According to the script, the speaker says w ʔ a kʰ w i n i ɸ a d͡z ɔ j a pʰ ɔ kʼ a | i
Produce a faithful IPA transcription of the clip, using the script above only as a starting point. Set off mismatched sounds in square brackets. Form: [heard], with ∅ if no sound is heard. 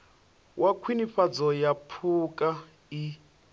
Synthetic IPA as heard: w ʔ a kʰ w i n i ɸ a d͡z ɔ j a pʰ [u] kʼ a | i